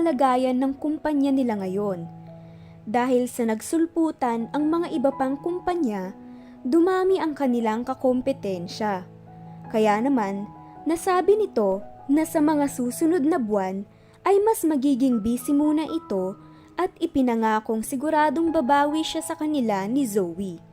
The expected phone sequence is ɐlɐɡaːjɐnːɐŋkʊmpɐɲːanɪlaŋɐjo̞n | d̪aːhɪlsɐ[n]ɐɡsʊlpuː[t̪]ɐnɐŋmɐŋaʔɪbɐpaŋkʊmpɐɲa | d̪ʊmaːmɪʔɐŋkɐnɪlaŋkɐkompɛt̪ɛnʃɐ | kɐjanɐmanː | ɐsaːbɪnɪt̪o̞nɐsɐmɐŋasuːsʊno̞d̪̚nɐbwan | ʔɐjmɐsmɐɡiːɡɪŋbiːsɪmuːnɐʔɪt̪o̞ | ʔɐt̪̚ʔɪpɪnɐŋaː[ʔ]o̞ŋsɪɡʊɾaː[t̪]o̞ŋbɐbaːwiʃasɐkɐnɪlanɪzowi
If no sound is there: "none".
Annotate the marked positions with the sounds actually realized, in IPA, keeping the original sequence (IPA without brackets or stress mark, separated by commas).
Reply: n, t̪, k, d̪